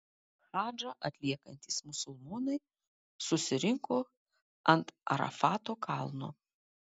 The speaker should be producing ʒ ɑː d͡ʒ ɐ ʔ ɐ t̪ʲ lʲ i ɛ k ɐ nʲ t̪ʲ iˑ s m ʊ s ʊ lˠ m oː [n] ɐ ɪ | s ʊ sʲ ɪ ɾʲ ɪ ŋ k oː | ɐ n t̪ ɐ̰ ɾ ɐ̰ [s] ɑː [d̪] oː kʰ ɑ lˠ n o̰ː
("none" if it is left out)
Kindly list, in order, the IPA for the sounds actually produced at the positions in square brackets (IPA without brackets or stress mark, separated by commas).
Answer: n, f, t̪